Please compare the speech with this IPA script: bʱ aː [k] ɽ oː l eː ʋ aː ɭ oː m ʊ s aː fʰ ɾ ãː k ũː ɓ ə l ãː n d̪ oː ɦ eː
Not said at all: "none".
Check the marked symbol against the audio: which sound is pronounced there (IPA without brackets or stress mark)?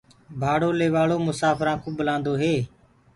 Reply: none